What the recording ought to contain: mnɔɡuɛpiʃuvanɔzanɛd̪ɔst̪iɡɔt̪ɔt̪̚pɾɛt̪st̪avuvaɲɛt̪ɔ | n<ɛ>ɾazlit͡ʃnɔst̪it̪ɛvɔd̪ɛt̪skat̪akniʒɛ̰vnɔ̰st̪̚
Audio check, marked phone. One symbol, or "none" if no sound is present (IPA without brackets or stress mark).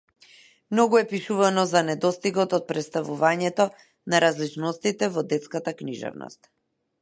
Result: a